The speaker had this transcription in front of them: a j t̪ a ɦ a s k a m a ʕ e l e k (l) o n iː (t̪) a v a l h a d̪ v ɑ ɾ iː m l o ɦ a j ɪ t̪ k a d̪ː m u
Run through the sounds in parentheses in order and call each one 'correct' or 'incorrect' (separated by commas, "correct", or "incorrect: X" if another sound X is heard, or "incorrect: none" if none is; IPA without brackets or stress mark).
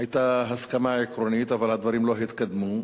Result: incorrect: ɾ, correct